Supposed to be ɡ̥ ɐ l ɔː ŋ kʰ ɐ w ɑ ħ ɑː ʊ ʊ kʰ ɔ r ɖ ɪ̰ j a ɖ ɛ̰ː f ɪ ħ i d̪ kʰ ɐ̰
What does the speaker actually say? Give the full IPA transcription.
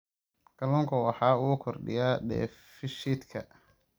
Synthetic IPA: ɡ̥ ɐ l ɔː ŋ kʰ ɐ w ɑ ħ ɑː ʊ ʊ kʰ ɔ r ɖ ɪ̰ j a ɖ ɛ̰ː f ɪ ʃ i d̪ kʰ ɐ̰